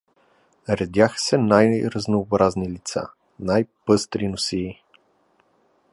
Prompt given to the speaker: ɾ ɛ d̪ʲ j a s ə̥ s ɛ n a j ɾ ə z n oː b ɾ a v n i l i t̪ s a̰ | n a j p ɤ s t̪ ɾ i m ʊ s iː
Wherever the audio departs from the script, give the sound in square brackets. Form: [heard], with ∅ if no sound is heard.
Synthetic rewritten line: ɾ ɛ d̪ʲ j a [x] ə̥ s ɛ n a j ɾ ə z n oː b ɾ a [z] n i l i t̪ s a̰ | n a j p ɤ s t̪ ɾ i [n] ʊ s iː